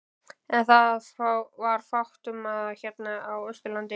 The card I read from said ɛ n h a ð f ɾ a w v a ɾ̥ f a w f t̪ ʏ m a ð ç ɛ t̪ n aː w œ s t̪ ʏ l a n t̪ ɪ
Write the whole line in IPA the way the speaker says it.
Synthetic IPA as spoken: ɛ n θ a ð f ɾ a w v a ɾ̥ f a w h t̪ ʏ m a ð ç ɛ t̪ n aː w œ s t̪ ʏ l a n t̪ ɪ